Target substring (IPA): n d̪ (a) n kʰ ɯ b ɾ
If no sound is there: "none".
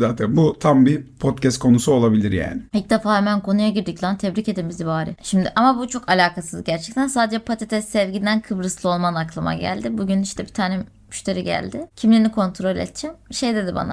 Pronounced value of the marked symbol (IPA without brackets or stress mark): æ